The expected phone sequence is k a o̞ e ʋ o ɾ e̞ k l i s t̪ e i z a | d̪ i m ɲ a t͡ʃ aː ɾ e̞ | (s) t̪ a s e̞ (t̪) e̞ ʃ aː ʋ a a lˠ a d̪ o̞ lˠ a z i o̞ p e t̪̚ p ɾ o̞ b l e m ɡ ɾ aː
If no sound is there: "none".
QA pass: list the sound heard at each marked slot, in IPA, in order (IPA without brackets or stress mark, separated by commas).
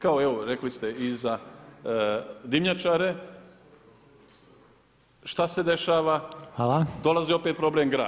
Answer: ʃ, d̪